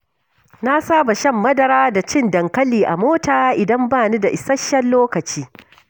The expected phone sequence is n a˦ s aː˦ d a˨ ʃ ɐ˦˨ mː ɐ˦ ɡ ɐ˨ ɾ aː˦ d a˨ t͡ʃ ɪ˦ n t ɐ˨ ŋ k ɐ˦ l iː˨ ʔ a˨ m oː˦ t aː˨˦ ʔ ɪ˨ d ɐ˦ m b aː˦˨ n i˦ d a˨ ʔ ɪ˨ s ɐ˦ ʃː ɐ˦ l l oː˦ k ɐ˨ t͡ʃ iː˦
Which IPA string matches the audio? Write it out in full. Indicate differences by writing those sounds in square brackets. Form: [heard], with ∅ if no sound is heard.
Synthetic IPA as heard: n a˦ s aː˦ [b] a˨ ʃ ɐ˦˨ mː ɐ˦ [d] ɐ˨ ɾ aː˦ d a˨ t͡ʃ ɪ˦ n [d] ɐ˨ ŋ k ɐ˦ l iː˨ ʔ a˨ m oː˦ t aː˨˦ ʔ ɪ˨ d ɐ˦ m b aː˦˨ n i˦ d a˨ ʔ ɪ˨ s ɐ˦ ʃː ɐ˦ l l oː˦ k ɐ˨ t͡ʃ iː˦